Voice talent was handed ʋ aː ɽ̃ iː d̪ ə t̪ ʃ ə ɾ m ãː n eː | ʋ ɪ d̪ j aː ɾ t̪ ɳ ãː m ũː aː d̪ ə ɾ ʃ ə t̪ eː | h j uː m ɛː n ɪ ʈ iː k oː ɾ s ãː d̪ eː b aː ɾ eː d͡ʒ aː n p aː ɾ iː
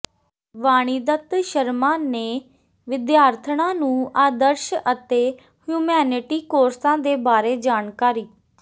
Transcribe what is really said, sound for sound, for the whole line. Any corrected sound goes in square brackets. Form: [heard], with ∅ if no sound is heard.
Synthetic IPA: ʋ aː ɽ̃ iː d̪ ə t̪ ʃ ə ɾ m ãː n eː | ʋ ɪ d̪ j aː ɾ [t̪ʰ] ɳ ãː [n] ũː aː d̪ ə ɾ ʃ ə t̪ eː | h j uː m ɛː n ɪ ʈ iː k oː ɾ s ãː d̪ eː b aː ɾ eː d͡ʒ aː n [k] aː ɾ iː